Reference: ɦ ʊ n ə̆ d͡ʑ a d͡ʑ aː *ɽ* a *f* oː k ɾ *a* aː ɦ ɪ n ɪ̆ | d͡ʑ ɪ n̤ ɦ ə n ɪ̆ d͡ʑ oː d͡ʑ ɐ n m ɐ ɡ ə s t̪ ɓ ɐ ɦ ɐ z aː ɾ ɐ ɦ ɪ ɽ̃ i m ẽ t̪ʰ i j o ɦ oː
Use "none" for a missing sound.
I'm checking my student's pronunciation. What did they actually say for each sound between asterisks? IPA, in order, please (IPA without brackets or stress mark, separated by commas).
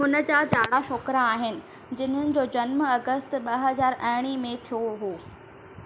ɽ, ʃ, a